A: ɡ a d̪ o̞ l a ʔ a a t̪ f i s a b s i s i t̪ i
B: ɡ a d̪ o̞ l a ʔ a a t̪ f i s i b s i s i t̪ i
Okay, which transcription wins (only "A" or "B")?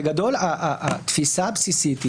A